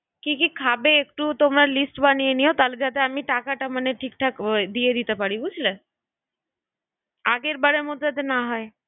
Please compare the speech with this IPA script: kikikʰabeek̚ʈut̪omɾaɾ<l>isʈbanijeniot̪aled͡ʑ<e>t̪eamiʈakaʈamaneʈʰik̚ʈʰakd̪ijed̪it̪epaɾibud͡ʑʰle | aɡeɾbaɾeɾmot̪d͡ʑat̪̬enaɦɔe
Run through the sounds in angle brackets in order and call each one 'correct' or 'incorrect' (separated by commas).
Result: correct, incorrect